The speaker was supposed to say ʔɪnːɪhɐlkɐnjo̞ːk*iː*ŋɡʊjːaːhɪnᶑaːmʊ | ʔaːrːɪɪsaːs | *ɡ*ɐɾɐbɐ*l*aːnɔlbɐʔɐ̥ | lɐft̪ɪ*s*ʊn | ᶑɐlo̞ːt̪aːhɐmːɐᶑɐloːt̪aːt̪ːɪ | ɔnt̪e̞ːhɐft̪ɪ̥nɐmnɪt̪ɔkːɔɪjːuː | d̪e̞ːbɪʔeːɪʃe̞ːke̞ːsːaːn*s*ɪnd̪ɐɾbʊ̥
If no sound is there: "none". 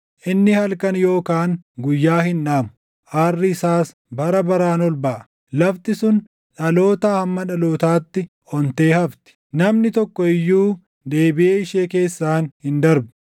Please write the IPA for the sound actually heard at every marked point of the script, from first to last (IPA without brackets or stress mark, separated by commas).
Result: aː, b, ɾ, s, h